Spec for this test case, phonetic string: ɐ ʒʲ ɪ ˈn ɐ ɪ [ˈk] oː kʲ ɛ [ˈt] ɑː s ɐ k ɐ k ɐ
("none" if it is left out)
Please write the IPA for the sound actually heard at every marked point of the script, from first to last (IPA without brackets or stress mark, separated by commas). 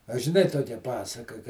t, p